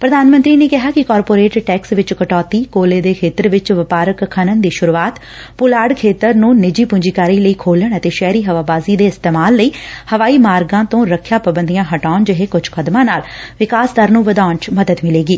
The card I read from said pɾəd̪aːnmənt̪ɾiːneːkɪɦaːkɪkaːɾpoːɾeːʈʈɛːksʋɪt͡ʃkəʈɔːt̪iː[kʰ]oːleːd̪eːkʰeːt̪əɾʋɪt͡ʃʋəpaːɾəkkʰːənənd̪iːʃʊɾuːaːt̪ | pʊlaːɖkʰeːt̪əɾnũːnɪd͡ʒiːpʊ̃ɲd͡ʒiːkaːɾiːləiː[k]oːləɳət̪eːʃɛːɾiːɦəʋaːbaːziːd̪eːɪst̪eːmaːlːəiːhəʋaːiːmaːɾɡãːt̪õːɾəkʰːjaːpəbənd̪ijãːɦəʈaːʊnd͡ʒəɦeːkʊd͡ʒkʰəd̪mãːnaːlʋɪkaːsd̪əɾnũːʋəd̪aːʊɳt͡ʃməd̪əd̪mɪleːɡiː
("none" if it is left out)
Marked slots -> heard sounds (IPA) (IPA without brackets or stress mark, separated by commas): k, kʰ